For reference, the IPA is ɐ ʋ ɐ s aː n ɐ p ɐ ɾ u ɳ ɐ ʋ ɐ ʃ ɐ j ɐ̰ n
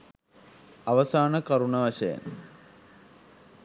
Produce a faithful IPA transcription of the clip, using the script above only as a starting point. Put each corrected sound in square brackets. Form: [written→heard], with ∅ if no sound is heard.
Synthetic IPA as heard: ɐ ʋ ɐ s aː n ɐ [p→k] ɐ ɾ u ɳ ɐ ʋ ɐ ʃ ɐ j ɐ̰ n